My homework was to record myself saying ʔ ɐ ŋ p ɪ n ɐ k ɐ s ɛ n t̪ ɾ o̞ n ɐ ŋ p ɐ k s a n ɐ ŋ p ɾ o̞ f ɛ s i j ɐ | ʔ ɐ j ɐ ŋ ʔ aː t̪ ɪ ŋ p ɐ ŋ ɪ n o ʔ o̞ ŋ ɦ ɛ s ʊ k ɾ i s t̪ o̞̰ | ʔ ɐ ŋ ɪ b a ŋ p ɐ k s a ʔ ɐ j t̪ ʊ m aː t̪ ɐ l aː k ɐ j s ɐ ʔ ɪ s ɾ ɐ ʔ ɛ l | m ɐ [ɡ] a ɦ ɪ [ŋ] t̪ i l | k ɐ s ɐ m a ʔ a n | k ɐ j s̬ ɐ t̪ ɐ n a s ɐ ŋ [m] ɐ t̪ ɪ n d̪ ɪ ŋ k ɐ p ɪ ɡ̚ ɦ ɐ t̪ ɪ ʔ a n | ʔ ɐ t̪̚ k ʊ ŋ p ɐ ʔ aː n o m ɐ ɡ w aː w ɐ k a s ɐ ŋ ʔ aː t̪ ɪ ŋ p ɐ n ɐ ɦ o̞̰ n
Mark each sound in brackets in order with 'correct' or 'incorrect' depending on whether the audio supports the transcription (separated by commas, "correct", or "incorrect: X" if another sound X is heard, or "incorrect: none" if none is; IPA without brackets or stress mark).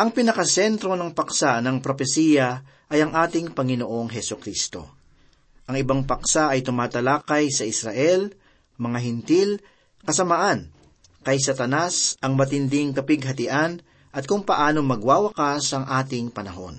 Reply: incorrect: ŋ, incorrect: n, correct